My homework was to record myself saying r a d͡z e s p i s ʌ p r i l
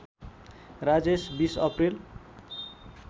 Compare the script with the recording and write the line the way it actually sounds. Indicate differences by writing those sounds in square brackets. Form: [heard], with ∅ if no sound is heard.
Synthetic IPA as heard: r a d͡z e s [b] i s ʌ p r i l